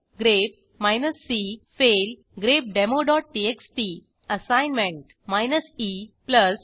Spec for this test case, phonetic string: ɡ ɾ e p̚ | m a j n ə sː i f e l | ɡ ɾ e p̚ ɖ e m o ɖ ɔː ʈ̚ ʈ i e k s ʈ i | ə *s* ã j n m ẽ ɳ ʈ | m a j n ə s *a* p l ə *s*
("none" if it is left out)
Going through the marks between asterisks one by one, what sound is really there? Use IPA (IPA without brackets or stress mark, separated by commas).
s, i, s